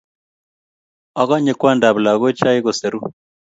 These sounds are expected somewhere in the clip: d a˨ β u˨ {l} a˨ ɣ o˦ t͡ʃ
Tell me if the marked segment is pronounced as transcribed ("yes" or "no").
yes